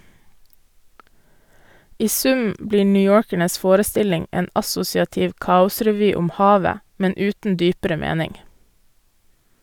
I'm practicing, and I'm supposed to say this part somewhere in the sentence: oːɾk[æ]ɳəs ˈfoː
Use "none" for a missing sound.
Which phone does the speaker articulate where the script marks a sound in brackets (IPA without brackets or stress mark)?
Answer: æ